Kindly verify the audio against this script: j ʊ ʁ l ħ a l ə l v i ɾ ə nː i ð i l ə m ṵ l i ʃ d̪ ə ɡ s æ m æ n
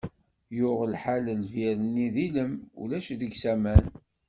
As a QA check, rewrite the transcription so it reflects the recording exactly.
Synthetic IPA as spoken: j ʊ ʁ l ħ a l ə l v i ɾ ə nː i ð i l ə m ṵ l æ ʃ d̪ ə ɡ s æ m æ n